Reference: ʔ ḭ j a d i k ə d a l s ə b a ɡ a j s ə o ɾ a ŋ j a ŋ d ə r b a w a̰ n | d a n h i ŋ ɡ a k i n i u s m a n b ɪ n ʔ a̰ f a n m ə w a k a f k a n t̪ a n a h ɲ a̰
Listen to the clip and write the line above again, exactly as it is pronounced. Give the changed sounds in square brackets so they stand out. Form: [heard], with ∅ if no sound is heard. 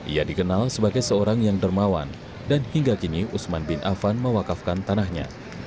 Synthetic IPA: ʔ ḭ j a d i k ə [n] a l s ə b a ɡ a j s ə o ɾ a ŋ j a ŋ d ə r [m] a w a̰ n | d a n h i ŋ ɡ a k i n i u s m a n b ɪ n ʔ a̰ f a n m ə w a k a f k a n t̪ a n a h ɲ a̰